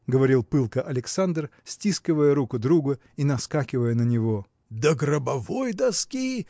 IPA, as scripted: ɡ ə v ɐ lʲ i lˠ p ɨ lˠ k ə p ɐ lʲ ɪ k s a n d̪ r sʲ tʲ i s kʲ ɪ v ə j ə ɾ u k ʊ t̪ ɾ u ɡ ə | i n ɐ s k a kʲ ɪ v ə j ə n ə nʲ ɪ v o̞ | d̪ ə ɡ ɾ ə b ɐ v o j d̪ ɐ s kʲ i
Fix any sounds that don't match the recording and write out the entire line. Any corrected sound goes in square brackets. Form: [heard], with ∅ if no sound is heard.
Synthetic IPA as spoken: ɡ ə v ɐ [ɾʲ] i lˠ p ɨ lˠ k ə [ʔ] ɐ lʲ ɪ k s a n d̪ r sʲ tʲ i s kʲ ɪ v ə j ə ɾ u k ʊ [d̪] ɾ u ɡ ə | i n ɐ s k a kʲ ɪ v ə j ə n ə nʲ ɪ v o̞ | d̪ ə ɡ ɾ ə b ɐ v o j d̪ ɐ s kʲ i